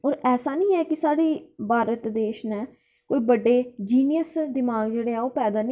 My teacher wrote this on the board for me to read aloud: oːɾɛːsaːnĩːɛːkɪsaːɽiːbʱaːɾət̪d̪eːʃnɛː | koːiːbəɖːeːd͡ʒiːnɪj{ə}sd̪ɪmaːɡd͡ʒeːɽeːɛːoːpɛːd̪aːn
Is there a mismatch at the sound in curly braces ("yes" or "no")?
no